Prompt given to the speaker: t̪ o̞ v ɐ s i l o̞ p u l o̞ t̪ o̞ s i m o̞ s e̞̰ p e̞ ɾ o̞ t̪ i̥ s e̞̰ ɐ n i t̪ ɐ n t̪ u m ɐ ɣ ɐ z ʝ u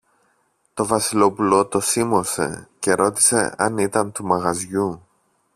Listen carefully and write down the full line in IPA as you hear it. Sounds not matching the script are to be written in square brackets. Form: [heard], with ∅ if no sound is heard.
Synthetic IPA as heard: t̪ o̞ v ɐ s i l o̞ p u l o̞ t̪ o̞ s i m o̞ s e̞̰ [c] e̞ ɾ o̞ t̪ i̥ s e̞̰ ɐ n i t̪ ɐ n t̪ u m ɐ ɣ ɐ z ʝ u